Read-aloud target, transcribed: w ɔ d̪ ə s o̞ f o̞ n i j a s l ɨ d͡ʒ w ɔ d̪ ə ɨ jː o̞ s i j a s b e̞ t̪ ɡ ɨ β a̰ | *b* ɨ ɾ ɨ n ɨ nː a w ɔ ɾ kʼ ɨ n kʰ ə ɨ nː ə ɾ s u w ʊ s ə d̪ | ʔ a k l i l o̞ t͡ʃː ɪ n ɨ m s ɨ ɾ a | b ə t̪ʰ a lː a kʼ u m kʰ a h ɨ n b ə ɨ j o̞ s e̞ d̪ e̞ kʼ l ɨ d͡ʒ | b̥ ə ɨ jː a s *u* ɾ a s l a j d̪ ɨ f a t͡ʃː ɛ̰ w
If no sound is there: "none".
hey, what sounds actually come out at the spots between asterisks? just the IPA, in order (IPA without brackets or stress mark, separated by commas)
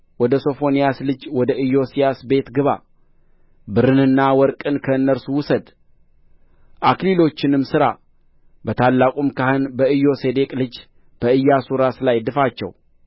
b, u